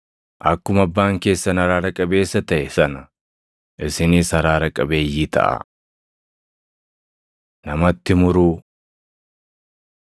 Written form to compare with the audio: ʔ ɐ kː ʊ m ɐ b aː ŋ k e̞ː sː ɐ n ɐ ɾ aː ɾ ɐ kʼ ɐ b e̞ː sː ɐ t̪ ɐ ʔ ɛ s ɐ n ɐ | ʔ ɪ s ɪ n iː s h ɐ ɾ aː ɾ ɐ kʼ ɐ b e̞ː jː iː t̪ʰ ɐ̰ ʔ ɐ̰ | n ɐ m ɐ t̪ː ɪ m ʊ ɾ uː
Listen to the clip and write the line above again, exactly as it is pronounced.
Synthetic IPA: ʔ ɐ kː ʊ m ɐ bː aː ŋ k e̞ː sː ɐ n ɐ ɾ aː ɾ ɐ kʼ ɐ b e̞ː sː ɐ t̪ ɐ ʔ ɛ s ɐ n ɐ | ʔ ɪ s ɪ n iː s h ɐ ɾ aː ɾ ɐ kʼ ɐ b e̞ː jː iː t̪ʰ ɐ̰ ʔ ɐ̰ | n ɐ m ɐ t̪ː ɪ m ʊ ɾ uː